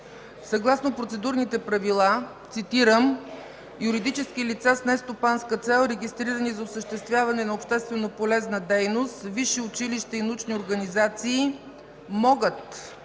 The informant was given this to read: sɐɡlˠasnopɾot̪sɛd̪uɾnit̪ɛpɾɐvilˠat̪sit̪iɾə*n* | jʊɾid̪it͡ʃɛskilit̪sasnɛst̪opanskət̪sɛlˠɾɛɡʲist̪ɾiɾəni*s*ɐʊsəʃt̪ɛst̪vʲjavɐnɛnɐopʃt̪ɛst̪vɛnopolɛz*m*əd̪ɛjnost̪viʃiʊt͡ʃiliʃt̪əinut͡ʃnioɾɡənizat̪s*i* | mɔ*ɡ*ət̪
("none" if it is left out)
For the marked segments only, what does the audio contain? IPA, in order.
m, z, n, iː, ɡ

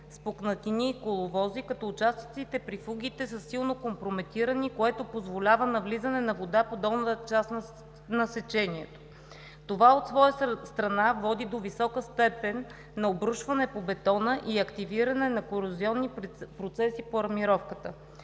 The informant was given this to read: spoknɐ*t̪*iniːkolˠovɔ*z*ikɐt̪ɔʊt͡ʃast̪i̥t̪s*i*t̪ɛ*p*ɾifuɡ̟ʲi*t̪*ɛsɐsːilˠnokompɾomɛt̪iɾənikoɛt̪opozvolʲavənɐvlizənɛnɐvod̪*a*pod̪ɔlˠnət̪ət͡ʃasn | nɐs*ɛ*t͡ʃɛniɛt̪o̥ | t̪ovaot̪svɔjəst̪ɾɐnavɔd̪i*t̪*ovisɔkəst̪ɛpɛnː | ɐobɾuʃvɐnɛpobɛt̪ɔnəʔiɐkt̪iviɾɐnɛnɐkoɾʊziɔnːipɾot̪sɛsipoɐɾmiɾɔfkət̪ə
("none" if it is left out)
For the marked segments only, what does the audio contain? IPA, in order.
t̪, z, i, p, t̪, a, ɛ, d̪

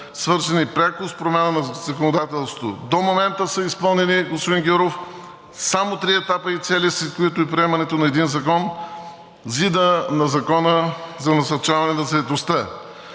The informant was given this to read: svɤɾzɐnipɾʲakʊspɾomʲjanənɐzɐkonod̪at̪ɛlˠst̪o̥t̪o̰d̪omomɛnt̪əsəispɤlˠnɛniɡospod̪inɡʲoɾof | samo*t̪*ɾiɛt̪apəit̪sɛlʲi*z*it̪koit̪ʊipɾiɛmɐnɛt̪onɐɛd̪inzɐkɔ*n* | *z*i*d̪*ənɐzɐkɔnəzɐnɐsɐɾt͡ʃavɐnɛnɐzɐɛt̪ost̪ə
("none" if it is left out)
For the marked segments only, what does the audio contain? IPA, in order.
t̪, s, n, z, d̪

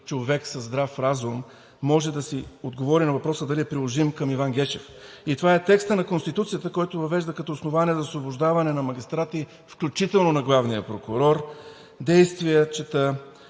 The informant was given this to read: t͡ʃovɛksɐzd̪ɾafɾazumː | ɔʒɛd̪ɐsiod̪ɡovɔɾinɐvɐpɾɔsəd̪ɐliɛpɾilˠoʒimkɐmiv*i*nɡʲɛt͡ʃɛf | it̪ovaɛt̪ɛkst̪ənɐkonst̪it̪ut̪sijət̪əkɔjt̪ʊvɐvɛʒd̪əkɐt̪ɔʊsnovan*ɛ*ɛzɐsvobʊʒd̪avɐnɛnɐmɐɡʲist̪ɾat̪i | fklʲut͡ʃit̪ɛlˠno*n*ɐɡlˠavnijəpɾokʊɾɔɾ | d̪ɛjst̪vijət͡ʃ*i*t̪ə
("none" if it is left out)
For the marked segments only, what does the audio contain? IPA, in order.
a, i, n, ɛ

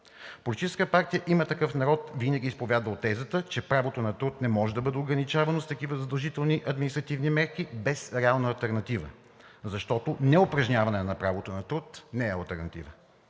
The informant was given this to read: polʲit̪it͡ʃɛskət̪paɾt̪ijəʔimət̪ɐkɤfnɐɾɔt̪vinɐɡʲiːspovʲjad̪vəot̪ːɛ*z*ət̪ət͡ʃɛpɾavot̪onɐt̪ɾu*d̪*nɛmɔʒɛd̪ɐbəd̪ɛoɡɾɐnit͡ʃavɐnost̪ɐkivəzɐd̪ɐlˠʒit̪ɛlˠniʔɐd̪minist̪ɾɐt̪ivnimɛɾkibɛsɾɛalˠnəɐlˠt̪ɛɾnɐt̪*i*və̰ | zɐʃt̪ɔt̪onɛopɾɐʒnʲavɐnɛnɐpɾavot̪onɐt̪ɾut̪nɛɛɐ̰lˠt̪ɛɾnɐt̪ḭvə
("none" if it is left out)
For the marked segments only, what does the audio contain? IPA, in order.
z, t̪, i

